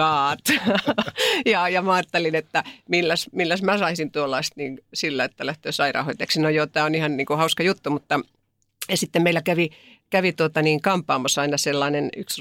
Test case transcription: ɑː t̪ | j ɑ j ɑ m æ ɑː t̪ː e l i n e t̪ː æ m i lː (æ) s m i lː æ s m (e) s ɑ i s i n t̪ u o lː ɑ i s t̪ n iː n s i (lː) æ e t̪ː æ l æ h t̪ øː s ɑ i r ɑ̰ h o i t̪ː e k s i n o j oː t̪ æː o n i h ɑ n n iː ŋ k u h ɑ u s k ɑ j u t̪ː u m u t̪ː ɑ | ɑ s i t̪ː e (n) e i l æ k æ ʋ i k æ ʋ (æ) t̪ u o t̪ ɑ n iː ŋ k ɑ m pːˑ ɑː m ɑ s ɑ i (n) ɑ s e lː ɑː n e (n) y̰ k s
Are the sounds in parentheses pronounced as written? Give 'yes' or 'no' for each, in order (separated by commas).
yes, no, yes, no, no, yes, yes